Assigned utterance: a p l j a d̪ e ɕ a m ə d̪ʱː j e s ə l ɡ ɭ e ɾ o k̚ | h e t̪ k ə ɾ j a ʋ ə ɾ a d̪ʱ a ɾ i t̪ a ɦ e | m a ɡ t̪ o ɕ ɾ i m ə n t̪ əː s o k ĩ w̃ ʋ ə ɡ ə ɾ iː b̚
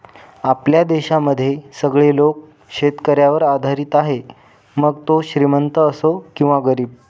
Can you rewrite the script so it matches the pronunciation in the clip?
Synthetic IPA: a p l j a d̪ e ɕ a m ə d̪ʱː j e s ə ɡ ɭ e l o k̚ | ɕ e t̪ k ə ɾ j a ʋ ə ɾ a d̪ʱ a ɾ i t̪ a ɦ e | m ə ɡ t̪ o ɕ ɾ i m ə n t̪ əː s o k ĩ w̃ ʋ a ɡ ə ɾ iː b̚